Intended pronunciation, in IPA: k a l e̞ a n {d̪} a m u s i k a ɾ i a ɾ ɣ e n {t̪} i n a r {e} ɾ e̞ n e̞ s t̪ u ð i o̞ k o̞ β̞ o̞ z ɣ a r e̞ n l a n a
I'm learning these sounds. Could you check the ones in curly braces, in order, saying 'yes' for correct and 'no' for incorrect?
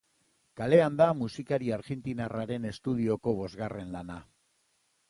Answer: yes, yes, no

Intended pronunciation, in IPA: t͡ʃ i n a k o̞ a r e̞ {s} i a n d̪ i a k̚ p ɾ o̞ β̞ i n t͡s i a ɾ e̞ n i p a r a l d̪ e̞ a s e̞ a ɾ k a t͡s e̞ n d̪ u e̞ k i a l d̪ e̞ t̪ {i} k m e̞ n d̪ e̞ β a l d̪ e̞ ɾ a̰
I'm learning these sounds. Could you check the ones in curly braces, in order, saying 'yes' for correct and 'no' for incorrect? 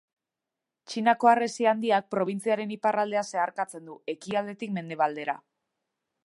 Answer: yes, yes

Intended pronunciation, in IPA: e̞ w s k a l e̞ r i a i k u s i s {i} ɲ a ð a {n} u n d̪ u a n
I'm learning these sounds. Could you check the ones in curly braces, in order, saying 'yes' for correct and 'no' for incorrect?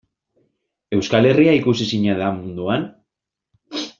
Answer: yes, no

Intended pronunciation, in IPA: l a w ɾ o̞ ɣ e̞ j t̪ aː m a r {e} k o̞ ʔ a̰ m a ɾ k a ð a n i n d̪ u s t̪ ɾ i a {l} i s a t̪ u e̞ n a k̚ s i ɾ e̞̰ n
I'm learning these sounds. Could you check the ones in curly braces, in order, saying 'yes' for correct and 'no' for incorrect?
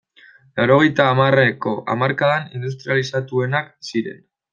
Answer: yes, yes

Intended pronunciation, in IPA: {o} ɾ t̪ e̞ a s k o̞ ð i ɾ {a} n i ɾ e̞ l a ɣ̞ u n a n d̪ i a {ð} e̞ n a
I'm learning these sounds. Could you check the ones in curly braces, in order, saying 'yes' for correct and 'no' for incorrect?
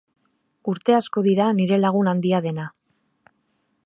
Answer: no, yes, yes

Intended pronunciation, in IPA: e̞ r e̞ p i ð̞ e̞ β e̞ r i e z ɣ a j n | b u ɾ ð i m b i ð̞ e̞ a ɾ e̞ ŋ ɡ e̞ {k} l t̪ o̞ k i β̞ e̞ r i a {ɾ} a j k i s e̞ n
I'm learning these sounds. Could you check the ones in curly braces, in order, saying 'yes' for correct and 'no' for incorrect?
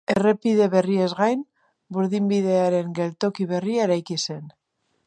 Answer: no, yes

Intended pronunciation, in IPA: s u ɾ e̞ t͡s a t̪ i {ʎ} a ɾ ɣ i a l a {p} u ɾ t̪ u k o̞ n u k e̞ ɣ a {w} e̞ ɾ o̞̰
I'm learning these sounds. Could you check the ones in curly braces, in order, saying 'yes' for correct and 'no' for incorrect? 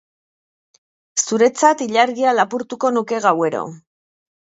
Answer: yes, yes, yes

